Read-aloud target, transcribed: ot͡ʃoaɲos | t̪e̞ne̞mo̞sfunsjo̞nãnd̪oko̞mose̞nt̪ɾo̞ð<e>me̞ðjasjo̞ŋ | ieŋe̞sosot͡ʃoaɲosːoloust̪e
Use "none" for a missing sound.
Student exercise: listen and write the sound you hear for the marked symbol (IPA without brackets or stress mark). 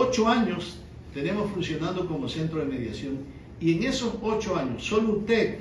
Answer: e